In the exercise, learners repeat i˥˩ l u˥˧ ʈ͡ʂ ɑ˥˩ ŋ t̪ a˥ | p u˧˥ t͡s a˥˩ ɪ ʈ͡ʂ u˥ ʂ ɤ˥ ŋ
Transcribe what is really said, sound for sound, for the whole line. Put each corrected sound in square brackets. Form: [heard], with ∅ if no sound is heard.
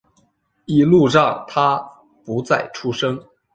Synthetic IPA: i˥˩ l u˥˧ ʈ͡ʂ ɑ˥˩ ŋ [t̪ʰ] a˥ | p u˧˥ t͡s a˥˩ ɪ [ʈ͡ʂʰ] u˥ ʂ ɤ˥ ŋ